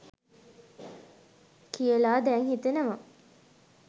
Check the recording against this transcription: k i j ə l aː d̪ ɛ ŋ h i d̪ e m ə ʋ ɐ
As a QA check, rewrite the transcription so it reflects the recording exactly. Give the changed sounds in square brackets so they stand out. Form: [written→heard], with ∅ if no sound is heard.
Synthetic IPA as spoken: k i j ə l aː d̪ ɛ ŋ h i [d̪→t̪] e [m→n] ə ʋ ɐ